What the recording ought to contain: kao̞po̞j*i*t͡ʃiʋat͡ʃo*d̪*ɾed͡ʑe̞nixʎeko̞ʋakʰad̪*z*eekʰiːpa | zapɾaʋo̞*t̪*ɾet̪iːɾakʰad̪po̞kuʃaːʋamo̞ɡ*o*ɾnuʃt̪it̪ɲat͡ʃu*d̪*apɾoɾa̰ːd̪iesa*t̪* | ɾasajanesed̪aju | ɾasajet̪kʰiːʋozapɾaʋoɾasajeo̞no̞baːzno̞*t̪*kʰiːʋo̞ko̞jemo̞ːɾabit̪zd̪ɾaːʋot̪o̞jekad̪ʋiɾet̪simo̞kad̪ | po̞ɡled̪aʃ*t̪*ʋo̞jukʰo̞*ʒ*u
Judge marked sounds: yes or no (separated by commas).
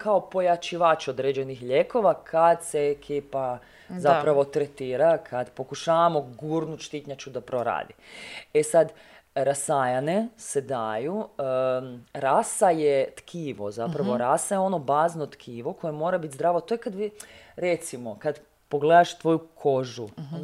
no, yes, no, yes, no, yes, no, yes, yes, yes